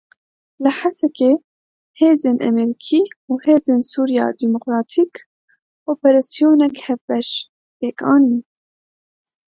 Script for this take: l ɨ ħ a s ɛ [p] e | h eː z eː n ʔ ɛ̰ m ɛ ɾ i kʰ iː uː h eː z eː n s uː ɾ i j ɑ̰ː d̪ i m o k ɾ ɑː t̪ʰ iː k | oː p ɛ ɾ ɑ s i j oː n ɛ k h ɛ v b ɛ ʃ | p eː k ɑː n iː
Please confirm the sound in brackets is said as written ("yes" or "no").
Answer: no